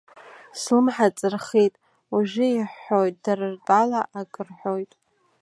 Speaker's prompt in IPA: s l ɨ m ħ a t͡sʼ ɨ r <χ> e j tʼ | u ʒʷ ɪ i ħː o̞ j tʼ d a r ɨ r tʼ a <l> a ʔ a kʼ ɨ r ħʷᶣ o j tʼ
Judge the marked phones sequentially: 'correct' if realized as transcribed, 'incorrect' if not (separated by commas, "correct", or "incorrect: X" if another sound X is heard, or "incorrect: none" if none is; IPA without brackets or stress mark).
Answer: correct, correct